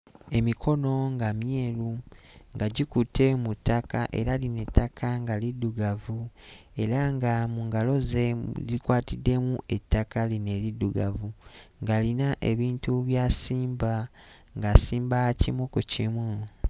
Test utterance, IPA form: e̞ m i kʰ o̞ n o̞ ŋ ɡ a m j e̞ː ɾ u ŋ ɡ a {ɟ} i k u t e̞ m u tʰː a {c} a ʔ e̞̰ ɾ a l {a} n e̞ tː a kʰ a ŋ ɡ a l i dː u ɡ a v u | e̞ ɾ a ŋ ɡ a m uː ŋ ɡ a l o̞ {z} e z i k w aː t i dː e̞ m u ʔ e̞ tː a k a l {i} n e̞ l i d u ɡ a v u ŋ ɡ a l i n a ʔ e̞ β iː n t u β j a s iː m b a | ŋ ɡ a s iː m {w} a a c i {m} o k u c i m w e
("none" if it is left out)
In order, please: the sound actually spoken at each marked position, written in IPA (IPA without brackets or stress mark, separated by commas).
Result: ɟ, k, i, z, i, b, m